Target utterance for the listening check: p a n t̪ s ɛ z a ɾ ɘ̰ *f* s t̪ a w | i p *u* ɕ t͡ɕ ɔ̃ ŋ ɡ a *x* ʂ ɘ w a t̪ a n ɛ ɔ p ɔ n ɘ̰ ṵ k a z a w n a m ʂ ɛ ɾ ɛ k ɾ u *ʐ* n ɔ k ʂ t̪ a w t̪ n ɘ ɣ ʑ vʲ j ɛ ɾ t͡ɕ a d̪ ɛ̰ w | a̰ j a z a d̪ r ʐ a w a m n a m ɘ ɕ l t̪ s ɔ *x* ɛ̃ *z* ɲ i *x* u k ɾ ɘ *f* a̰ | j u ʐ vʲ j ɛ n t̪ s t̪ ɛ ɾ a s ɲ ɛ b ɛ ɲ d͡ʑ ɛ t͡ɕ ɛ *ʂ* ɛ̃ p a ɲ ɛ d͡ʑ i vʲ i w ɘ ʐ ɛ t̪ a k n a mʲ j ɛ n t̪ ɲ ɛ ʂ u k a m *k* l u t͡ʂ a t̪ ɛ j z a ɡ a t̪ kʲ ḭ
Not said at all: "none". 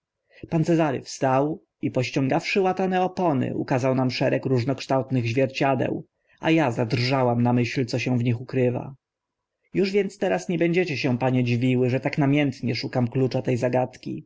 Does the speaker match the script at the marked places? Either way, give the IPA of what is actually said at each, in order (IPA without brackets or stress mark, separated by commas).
f, ɔ, f, ʐ, ɕ, v, x, v, ɕ, k